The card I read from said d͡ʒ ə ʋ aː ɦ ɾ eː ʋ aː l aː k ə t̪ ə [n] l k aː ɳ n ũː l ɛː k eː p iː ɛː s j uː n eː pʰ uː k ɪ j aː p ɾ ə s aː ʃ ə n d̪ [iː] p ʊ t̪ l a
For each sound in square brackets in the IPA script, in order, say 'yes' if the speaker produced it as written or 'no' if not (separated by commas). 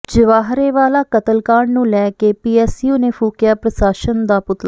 no, no